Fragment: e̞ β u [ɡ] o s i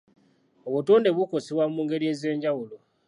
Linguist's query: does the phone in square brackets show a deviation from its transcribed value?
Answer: yes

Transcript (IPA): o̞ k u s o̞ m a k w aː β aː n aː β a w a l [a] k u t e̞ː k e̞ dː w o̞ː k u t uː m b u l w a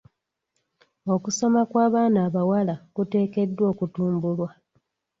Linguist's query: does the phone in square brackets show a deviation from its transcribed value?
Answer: no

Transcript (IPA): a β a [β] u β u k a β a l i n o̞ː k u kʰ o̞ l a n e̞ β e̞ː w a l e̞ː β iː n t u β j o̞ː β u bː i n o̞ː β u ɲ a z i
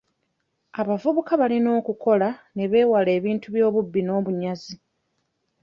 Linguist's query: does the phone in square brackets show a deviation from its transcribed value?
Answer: yes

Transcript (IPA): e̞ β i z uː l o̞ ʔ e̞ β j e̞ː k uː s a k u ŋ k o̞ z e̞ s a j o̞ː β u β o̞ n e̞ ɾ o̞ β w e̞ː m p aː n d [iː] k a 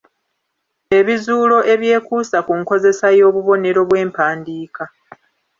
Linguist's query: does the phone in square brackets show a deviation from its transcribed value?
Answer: no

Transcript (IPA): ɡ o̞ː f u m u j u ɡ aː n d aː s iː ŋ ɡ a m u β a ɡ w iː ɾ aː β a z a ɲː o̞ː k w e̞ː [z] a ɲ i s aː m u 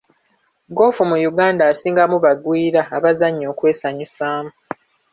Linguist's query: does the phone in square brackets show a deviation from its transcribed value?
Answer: yes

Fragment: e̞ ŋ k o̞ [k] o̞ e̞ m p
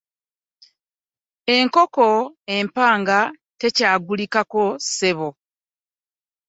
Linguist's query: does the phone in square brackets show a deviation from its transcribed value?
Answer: no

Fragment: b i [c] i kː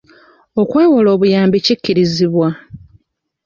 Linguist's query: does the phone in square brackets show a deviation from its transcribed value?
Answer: no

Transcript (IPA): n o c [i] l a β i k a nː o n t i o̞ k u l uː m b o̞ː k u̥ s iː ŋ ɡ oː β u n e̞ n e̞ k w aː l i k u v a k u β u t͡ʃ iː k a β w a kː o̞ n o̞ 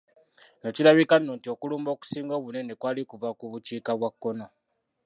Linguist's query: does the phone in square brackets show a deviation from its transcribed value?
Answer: no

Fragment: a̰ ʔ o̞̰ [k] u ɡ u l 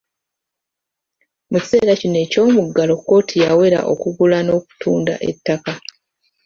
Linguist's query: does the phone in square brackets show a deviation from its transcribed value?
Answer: no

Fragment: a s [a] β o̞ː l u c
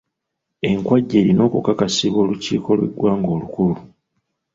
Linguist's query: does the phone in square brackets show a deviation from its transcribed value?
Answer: yes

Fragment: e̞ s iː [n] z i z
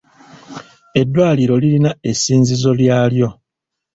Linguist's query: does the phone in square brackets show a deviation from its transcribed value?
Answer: no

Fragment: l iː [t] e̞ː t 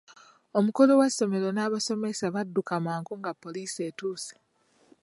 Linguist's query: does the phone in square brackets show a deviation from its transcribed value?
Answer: yes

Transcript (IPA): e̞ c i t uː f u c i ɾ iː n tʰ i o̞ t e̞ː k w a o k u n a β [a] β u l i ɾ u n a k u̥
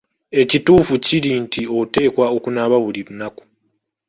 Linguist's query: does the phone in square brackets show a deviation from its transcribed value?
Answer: no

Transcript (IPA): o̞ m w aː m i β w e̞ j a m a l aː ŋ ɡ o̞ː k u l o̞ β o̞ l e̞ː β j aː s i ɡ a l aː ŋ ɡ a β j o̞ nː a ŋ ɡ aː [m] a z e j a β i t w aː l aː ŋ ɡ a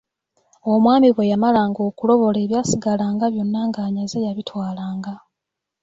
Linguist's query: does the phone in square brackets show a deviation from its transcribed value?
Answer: yes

